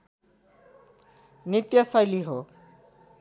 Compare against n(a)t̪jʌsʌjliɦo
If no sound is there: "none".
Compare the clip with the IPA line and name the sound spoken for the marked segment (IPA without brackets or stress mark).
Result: i